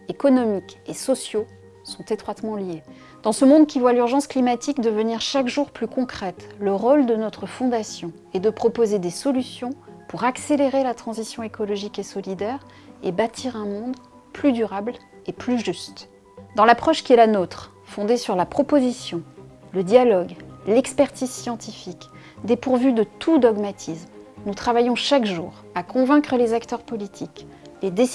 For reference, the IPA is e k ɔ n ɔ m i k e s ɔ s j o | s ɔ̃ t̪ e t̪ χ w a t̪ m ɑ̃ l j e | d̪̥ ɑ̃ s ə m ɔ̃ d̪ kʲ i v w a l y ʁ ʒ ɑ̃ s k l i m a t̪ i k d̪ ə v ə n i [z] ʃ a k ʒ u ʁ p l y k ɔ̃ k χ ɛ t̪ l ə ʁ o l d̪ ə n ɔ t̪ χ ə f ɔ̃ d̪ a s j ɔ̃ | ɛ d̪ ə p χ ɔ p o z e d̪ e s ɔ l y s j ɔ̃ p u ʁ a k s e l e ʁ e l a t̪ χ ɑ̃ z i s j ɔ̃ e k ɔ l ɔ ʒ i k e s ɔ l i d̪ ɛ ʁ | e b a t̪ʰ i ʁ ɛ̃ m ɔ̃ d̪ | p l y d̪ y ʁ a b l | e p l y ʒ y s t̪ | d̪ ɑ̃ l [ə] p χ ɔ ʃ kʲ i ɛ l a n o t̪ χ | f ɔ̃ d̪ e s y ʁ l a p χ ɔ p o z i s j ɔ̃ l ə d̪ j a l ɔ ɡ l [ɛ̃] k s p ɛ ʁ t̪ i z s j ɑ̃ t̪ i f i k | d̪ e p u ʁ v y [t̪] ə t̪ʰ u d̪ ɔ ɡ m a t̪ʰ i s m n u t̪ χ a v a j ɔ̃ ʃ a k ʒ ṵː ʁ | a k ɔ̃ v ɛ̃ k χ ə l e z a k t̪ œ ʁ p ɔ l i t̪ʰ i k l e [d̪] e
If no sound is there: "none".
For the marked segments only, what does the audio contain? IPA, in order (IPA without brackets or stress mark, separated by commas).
ʁ, a, ɛ, d̪, d̪